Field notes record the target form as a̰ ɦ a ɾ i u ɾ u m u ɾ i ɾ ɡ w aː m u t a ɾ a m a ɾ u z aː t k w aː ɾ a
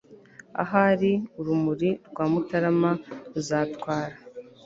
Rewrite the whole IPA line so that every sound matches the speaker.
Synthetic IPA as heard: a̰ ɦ a ɾ i u ɾ u m u ɾ i ɾ ɡ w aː m u t a ɾ a m a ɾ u z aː t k w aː ɾ a

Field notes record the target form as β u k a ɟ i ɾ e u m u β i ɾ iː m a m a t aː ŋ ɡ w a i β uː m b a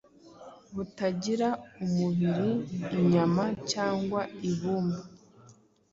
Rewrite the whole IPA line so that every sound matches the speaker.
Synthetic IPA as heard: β u t a ɟ i ɾ a u m u β i ɾ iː ɲ a m a c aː ŋ ɡ w a i β uː m b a

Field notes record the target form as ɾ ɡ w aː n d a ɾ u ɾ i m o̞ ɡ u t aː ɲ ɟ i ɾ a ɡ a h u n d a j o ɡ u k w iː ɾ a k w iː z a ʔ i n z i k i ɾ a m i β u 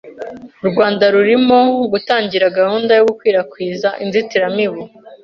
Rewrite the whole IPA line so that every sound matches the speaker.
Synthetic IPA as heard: ɾ ɡ w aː n d a ɾ u ɾ i m o̞ ɡ u t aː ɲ ɟ i ɾ a ɡ a h uː n d a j o ɡ u k w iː ɾ a k w iː z a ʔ i n z i t i ɾ a m i β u

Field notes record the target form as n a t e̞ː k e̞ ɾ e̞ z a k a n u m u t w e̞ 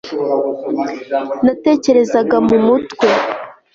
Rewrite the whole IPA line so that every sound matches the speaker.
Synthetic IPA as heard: n a t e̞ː c e̞ ɾ e̞ z a ɡ a m u m u t w e̞

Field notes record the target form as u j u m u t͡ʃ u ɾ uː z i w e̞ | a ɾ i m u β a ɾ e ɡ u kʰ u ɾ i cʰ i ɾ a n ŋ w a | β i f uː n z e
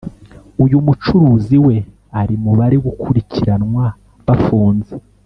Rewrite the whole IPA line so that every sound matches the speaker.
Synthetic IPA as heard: u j u m u t͡ʃ u ɾ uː z i w e̞ | a ɾ i m u β a ɾ e ɡ u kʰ u ɾ i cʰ i ɾ a n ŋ w a | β a f uː n z e

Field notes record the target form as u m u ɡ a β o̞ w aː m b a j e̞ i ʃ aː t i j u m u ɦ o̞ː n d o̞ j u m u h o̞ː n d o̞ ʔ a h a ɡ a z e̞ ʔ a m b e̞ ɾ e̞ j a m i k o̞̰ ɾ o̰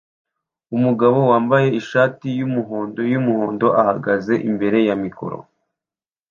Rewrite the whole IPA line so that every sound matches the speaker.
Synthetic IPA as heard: u m u ɡ a β o̞ w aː m b a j e̞ i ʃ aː t i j u m u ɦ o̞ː n d o̞ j u m u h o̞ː n d o̞ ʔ a h a ɡ a z e̞ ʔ i m b e̞ ɾ e̞ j a m i k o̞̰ ɾ o̰

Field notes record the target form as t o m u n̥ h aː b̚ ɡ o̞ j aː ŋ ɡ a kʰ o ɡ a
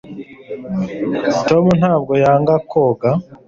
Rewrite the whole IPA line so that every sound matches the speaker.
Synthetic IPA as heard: t o m u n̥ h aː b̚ ɡ o̞ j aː ŋ ɡ a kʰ o ɡ a

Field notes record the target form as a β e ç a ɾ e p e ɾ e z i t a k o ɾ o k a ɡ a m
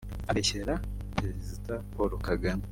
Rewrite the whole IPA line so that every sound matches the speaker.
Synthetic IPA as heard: a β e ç e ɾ a p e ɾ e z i t a p o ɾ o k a ɡ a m

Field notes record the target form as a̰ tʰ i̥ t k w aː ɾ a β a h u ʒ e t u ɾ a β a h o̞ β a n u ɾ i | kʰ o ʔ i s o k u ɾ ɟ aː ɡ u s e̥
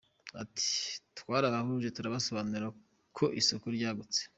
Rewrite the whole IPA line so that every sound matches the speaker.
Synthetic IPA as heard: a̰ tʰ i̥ t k w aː ɾ a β a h u ʒ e t u ɾ a β a s o̞ β a n u ɾ a | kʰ o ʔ i s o k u ɾ ɟ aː ɡ u t͡s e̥

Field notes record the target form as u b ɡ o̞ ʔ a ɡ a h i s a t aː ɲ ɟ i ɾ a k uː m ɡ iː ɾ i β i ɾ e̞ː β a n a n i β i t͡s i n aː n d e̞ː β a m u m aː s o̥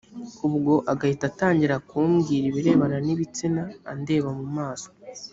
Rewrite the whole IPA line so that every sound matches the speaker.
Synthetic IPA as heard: u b ɡ o̞ ʔ a ɡ a h i t a t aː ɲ ɟ i ɾ a k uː m ɡ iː ɾ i β i ɾ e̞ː β a n a n i β i t͡s i n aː n d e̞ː β a m u m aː s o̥

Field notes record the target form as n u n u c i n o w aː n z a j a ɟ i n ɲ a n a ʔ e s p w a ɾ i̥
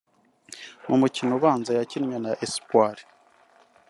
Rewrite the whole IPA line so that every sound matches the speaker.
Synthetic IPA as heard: m u m u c i n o β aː n z a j a c i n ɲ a n a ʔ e s p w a ɾ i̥

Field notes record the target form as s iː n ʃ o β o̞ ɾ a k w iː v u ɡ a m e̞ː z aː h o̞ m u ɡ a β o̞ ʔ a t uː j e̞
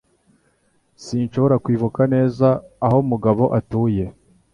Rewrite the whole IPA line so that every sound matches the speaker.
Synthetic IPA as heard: s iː n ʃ o β o̞ ɾ a k w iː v u k a n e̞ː z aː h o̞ m u ɡ a β o̞ ʔ a t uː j e̞

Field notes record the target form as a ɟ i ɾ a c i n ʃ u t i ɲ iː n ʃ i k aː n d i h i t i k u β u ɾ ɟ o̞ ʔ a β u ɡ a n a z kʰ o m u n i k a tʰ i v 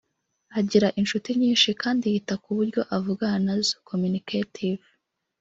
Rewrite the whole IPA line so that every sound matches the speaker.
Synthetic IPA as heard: a ɟ i ɾ a ʔ i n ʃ u t i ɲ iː n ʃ i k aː n d i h i t a k u β u ɾ ɟ o̞ ʔ a v u ɡ a n a z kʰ o m u n i k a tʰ i v

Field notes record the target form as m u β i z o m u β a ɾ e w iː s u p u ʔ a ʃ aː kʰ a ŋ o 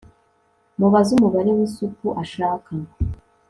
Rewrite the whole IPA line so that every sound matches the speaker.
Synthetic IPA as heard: m u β a z u m u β a ɾ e w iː s u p u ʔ a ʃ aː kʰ a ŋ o

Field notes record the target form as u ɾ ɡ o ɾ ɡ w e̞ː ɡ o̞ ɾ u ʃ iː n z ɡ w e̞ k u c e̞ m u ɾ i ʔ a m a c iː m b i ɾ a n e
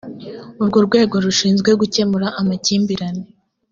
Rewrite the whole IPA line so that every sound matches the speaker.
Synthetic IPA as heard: u ɾ ɡ o ɾ ɡ w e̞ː ɡ o̞ ɾ u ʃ iː n z ɡ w e̞ ɡ u c e̞ m u ɾ a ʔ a m a c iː m b i ɾ a n e

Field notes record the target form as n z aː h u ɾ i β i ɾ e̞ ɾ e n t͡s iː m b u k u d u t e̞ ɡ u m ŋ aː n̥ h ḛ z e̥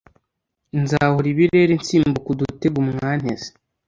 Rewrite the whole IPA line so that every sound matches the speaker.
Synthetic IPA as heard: n z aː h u ɾ i β i ɾ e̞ ɾ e n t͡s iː m b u k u d u t e̞ ɡ u m ŋ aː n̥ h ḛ z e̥

